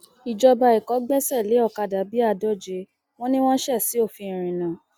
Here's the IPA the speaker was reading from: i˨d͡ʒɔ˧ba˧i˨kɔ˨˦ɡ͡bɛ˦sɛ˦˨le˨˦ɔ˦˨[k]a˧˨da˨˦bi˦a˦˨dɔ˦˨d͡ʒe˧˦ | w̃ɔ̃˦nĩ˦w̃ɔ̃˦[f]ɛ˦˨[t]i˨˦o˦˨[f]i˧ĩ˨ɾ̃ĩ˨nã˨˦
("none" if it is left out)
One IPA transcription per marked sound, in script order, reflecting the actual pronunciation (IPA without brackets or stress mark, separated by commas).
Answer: k, ʃ, s, f